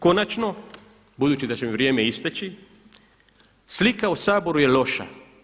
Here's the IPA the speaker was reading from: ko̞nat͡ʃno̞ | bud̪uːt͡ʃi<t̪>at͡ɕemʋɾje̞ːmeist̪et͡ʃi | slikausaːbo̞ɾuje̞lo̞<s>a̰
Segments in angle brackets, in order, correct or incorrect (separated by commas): incorrect, incorrect